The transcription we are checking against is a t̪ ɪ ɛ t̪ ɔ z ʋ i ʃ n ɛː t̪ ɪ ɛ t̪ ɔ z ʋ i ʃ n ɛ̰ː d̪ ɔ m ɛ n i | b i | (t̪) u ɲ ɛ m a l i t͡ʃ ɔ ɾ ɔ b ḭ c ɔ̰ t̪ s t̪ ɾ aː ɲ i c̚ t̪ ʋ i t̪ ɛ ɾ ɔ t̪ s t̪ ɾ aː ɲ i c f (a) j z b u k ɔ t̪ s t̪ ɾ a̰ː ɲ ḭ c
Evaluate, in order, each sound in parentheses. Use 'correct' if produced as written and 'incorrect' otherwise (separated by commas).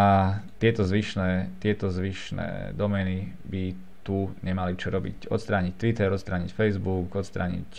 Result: correct, incorrect